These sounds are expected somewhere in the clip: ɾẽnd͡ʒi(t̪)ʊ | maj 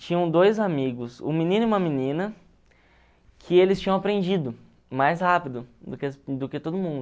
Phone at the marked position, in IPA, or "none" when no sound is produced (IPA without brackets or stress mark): d̪